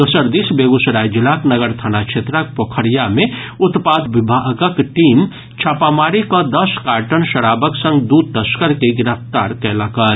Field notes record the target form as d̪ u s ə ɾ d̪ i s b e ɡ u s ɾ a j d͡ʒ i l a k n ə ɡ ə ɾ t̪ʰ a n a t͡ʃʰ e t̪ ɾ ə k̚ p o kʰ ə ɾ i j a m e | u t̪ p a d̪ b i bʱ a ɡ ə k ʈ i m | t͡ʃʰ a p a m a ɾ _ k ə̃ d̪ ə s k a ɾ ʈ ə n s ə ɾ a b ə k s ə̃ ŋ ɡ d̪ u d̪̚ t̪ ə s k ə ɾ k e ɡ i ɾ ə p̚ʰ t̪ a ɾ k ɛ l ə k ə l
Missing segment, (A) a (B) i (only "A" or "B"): B